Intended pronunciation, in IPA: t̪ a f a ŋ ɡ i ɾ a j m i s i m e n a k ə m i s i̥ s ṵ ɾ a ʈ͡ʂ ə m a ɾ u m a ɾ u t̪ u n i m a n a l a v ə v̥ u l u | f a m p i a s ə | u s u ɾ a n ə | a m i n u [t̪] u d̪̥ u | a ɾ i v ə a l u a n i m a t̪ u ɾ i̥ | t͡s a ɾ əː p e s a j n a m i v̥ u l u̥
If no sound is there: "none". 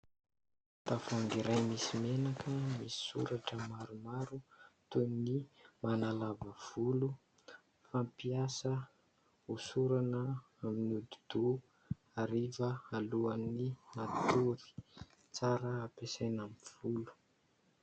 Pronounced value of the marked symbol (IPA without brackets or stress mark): d̪